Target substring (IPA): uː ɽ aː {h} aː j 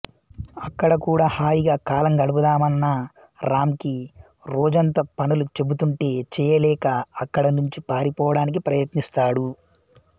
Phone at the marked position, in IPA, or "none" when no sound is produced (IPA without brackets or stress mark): h